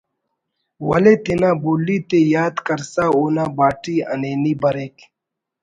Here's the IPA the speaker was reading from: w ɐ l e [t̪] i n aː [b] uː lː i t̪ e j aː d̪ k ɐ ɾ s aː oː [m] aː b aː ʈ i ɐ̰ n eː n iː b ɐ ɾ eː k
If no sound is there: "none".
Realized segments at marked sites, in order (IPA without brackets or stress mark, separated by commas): t̪, b, n